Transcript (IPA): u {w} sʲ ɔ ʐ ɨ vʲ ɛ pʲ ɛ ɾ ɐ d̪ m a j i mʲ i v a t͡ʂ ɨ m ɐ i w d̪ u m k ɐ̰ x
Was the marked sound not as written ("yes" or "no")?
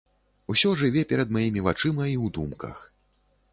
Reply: yes